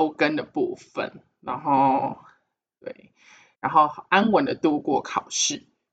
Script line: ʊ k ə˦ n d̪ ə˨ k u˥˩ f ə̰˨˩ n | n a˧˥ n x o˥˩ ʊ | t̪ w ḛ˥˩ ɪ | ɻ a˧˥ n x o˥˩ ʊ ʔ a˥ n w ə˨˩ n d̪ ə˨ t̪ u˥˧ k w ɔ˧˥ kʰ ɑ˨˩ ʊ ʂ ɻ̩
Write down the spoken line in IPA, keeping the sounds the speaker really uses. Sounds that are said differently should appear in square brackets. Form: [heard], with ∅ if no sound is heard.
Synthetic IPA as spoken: ʊ k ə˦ n d̪ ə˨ [p] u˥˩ f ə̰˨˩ n | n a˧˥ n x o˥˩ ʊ | t̪ w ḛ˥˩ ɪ | ɻ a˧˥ n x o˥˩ ʊ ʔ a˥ n w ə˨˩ n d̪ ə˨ t̪ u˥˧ k w [ɔ˥˩] kʰ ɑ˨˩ ʊ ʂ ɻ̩